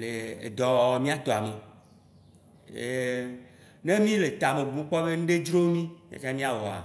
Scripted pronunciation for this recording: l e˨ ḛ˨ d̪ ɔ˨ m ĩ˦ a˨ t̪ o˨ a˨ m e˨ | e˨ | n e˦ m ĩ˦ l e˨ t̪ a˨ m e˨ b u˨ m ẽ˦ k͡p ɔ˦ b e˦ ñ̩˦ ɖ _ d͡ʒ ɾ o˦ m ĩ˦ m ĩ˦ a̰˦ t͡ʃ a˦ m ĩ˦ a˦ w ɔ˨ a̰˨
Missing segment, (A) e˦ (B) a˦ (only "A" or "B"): A